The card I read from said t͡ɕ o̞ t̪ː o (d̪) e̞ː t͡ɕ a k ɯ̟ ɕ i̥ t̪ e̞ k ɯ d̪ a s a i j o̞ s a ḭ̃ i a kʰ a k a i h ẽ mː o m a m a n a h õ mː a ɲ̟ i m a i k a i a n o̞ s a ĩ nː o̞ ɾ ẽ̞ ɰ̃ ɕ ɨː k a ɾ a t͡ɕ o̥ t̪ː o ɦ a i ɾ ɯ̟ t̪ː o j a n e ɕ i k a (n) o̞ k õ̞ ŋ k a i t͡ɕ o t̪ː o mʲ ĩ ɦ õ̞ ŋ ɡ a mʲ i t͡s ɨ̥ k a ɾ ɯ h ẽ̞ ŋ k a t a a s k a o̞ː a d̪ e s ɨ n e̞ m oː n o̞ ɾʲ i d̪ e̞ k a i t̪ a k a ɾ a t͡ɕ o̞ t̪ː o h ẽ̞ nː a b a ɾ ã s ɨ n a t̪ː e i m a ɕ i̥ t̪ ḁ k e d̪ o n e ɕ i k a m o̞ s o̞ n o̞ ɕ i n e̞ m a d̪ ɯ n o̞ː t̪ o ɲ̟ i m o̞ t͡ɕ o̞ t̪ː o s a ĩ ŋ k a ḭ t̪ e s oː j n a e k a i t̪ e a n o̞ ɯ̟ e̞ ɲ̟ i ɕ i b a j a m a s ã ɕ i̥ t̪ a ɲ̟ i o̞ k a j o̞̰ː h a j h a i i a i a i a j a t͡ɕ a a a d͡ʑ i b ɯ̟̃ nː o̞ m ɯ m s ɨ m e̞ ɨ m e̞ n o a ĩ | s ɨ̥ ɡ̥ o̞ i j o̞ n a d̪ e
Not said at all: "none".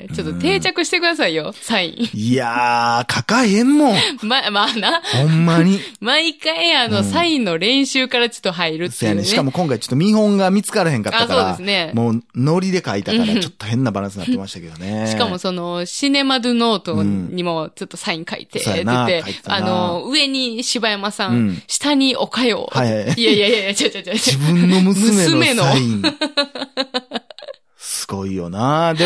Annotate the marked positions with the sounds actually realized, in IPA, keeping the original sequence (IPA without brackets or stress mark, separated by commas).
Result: t̪, m